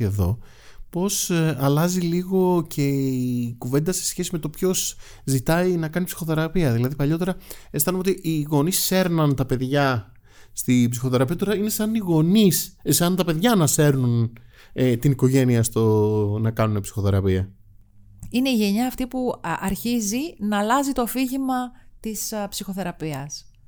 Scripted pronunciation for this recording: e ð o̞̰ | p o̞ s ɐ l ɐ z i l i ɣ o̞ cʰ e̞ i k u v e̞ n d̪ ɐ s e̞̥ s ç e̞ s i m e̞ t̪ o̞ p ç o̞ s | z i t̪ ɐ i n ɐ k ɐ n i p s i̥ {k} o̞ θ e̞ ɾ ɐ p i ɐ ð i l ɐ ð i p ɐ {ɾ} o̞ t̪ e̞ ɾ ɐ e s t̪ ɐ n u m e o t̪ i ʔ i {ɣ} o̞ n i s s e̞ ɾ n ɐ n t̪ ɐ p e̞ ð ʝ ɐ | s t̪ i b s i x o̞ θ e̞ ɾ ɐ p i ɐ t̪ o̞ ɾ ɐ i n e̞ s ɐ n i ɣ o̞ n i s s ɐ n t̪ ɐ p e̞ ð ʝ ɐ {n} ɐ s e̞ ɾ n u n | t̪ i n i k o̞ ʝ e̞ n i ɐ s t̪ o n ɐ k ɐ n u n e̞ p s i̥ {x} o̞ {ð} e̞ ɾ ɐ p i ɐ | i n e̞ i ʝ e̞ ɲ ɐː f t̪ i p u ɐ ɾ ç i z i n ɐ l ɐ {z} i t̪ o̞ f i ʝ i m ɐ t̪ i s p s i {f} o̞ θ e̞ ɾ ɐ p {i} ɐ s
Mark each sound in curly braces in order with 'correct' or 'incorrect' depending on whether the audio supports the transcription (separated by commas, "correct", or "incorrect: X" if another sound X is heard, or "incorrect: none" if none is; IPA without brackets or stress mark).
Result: incorrect: x, incorrect: ʎ, correct, correct, correct, incorrect: θ, correct, incorrect: x, correct